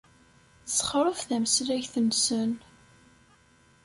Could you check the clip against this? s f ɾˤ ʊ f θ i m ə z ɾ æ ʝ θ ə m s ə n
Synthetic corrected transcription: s χ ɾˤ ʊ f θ æ m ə s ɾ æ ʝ θ ə n s ə n